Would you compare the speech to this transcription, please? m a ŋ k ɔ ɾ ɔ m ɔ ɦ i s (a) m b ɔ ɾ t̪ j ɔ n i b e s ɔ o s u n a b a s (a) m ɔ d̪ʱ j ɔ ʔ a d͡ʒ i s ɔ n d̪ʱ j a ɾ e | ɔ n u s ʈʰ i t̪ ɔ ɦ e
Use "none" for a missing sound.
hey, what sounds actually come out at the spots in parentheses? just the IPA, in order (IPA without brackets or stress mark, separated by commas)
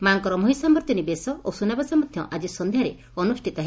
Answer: a, a